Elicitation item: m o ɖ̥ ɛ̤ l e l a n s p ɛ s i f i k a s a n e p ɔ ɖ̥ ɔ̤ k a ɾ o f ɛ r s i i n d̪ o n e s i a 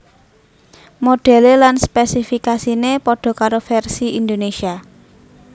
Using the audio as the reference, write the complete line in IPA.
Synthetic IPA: m o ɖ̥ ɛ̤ l e l a n s p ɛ s i f i k a s i n e p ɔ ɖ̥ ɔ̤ k a ɾ o f ɛ r s i i n d̪ o n e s i a